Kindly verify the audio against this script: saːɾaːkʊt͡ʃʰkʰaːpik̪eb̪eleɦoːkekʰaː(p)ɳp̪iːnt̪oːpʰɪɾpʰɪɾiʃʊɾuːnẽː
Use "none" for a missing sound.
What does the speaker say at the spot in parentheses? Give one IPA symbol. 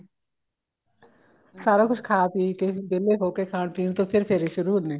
none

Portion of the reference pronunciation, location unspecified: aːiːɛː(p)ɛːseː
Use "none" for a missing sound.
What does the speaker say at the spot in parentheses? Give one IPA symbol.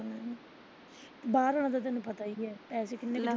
p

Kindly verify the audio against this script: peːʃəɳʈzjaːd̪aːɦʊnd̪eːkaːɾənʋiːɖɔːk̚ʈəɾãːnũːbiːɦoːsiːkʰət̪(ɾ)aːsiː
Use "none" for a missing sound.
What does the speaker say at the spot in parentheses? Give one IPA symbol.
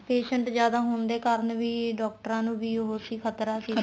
ɾ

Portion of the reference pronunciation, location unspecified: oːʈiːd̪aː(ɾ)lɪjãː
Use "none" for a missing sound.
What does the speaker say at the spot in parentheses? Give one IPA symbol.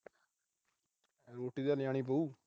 none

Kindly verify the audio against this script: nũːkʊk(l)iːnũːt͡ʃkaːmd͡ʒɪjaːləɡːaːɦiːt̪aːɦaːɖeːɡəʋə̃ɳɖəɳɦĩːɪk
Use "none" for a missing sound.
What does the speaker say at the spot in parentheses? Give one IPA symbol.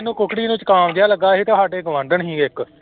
ɽ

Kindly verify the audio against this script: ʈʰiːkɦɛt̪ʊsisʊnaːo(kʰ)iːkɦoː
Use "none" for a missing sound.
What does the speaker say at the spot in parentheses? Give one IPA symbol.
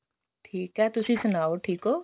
ʈʰ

